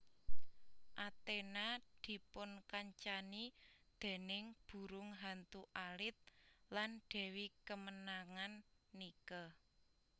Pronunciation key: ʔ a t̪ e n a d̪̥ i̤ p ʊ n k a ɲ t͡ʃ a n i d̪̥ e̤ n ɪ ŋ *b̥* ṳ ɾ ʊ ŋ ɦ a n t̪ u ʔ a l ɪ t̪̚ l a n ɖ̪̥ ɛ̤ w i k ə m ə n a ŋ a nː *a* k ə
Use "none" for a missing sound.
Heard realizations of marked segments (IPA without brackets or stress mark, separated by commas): b̥, i